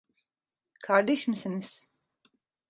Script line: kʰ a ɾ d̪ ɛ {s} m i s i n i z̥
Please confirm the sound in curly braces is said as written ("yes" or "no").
no